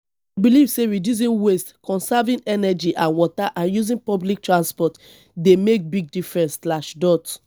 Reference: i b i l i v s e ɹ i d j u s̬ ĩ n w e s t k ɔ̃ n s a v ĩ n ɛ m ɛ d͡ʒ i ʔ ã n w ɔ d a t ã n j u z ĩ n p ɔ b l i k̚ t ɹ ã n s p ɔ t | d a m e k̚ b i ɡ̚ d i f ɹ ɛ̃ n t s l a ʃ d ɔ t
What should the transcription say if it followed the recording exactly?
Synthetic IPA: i b i l i v s e ɹ i d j u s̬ ĩ n w e s t k ɔ̃ n s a v ĩ n ɛ n ɛ d͡ʒ i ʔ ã n w ɔ t a ʔ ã n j u z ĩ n p ɔ b l i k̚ t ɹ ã n s p ɔ t | d e m e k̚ b i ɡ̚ d i f ɹ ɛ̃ n s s l a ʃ d ɔ t